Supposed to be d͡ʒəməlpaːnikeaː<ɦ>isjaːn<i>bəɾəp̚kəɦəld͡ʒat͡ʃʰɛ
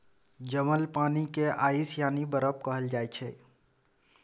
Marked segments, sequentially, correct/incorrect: incorrect, correct

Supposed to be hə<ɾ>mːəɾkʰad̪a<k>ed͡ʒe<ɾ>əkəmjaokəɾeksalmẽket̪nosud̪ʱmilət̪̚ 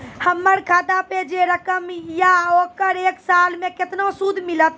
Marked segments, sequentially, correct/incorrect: incorrect, incorrect, correct

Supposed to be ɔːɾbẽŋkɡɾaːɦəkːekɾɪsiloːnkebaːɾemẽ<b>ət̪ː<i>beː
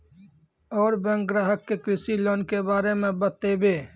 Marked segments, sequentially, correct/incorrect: correct, incorrect

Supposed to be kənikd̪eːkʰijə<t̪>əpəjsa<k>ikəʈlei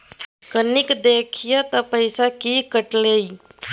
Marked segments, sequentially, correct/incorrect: correct, correct

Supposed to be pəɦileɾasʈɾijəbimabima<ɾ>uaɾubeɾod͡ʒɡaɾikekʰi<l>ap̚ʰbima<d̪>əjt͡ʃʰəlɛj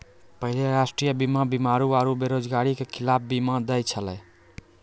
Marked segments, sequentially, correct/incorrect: correct, correct, correct

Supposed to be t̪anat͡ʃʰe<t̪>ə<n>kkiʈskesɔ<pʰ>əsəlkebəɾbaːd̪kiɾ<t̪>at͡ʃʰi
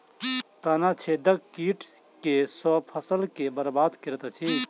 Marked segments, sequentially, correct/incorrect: incorrect, incorrect, correct, correct

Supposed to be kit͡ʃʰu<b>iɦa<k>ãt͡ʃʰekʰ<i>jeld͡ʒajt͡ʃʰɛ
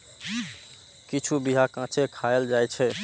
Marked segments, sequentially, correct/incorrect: correct, correct, incorrect

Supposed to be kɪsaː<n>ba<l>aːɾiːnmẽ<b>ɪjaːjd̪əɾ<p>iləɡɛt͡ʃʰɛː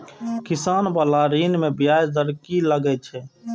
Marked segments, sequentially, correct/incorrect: correct, correct, correct, incorrect

